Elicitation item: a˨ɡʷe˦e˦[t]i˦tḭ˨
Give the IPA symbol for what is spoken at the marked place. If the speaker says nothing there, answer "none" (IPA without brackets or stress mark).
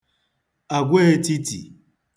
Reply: t